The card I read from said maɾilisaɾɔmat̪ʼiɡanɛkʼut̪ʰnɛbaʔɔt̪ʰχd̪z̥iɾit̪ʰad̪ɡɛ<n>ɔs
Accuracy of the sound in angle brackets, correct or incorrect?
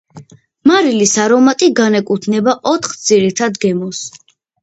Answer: incorrect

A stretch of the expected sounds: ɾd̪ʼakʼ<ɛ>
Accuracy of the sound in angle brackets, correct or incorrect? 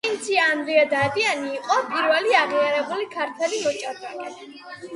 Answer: correct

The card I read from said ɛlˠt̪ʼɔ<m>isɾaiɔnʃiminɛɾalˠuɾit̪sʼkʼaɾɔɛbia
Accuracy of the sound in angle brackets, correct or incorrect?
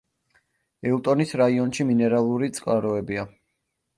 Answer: incorrect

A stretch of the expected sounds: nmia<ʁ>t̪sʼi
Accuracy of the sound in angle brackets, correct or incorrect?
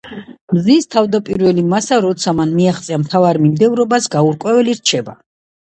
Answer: incorrect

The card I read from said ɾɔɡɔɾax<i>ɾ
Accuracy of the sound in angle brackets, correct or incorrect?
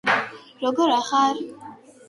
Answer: incorrect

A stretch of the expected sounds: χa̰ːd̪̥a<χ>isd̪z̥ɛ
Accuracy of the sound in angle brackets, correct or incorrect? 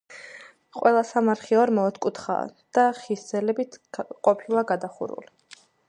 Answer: correct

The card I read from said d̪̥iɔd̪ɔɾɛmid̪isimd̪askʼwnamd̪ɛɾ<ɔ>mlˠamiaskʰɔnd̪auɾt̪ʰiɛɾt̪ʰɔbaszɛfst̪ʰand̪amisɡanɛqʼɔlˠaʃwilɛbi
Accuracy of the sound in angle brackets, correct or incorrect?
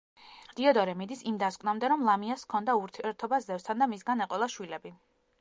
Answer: correct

